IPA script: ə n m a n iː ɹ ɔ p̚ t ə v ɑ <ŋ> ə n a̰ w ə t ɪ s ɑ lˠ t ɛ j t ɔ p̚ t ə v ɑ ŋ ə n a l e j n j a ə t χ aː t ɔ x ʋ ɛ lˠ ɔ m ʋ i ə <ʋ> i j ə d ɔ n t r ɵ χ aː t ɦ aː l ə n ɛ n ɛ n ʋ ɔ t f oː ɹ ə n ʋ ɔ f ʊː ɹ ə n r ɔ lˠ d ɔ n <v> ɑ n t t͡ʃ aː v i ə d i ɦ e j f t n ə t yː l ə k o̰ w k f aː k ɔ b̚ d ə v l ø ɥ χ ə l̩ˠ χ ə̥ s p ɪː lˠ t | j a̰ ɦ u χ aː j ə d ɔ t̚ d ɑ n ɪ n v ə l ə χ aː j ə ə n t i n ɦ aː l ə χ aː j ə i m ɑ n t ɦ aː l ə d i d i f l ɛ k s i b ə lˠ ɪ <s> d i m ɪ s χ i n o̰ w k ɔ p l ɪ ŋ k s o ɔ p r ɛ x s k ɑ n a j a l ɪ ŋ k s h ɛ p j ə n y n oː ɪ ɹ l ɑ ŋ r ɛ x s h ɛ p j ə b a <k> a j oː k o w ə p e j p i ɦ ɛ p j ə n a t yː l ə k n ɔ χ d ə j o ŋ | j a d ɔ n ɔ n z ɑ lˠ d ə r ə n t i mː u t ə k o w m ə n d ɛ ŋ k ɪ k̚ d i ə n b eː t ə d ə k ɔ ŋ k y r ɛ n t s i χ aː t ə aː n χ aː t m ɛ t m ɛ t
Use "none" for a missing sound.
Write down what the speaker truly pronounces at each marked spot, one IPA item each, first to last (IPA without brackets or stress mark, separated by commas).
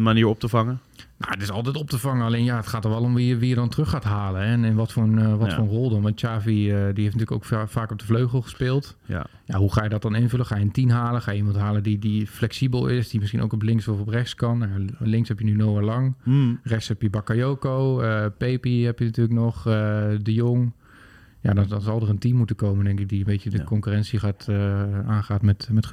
ŋ, ʋ, ʋ, s, k